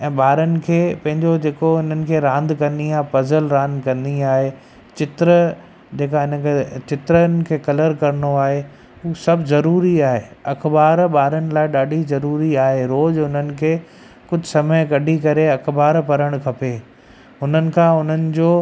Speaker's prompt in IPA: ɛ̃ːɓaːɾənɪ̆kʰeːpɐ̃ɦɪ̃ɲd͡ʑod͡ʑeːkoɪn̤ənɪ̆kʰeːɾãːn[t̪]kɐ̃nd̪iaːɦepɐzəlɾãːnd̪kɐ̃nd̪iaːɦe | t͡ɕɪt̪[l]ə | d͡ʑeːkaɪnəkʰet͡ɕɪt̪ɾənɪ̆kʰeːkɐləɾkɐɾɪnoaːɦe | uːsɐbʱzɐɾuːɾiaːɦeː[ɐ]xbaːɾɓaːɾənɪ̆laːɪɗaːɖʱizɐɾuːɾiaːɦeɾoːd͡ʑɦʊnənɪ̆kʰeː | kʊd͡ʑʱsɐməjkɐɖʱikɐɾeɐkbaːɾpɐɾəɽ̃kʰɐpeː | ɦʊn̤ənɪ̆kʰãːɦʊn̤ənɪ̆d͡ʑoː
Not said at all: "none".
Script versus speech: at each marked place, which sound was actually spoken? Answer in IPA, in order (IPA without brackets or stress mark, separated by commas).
d̪, ɾ, ɐ